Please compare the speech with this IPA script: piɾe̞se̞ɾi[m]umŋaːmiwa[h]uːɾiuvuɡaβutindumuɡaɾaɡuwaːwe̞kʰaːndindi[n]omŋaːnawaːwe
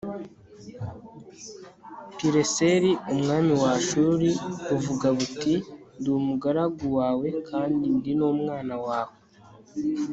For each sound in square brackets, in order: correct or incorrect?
incorrect, incorrect, correct

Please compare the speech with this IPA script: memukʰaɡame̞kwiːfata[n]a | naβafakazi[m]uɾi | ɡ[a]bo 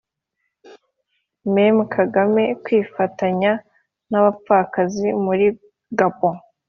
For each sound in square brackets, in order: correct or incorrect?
incorrect, correct, correct

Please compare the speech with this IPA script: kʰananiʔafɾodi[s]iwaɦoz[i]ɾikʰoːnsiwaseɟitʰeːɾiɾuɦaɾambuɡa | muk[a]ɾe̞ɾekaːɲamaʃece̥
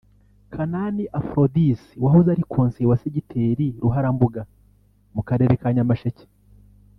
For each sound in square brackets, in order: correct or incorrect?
correct, incorrect, correct

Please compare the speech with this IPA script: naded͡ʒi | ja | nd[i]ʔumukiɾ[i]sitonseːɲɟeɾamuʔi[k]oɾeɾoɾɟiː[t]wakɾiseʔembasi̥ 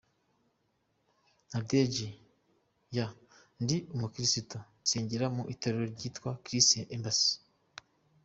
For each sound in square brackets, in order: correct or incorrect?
correct, correct, incorrect, correct

